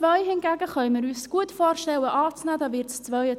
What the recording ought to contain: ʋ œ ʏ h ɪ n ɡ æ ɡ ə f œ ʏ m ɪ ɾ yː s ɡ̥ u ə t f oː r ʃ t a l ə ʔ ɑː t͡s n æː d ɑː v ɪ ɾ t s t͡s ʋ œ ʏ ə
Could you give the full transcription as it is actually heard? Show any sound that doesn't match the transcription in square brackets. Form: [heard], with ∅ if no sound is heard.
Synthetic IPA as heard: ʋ œ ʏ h ɪ n ɡ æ ɡ ə [χ] œ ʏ m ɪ ɾ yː s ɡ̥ u ə t f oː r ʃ t [ɛ] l ə ʔ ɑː t͡s n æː d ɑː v ɪ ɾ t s t͡s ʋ œ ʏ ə